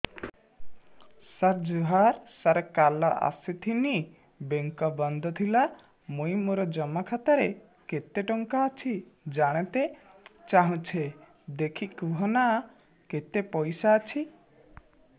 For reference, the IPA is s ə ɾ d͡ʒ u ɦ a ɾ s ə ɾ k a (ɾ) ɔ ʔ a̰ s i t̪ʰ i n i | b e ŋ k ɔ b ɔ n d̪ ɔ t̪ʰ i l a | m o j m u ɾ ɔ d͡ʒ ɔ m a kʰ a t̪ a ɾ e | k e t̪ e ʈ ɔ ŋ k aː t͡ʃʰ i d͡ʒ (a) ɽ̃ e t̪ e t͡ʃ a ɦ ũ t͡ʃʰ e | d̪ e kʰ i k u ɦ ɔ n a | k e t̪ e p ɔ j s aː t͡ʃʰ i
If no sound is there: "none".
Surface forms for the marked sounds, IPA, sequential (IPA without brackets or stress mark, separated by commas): l, a